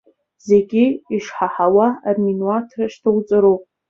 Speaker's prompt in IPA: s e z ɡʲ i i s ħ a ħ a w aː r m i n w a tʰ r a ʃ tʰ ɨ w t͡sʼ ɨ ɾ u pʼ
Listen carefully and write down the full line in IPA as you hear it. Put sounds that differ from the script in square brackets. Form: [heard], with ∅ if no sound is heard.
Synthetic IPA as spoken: [z] e [∅] ɡʲ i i [ʂ] ħ a ħ a w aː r m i n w a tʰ r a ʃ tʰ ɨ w t͡sʼ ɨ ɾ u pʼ